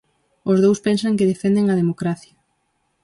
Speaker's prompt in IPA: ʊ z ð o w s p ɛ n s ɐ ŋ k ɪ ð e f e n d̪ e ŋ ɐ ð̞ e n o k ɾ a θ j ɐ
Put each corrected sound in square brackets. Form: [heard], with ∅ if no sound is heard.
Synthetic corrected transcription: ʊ z ð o w s p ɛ n s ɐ ŋ k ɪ ð e f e n d̪ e ŋ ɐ ð̞ e [m] o k ɾ a θ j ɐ

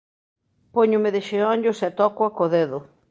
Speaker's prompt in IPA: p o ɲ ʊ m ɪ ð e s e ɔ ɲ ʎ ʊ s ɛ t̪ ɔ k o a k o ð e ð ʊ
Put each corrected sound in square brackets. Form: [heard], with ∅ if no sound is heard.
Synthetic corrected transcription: p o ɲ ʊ m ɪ ð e [ʃ] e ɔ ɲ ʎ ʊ s ɛ t̪ ɔ k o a k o ð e ð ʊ

